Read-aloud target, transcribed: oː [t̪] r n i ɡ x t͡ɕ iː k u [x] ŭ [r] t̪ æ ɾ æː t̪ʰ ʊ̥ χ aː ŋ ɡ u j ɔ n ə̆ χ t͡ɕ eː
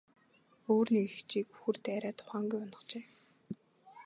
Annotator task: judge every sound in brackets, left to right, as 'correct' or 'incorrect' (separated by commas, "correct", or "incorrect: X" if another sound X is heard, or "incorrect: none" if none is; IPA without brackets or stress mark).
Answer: incorrect: none, correct, correct